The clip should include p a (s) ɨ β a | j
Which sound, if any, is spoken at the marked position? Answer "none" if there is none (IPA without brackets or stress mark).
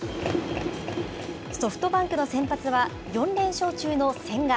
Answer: t͡s